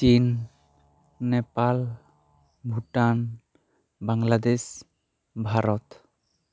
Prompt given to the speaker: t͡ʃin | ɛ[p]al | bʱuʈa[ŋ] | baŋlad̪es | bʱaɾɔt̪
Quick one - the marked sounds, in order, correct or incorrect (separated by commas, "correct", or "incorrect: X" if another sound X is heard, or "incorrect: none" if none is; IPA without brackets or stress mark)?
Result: correct, incorrect: n